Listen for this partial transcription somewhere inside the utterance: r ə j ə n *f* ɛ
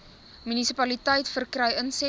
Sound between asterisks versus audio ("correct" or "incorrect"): incorrect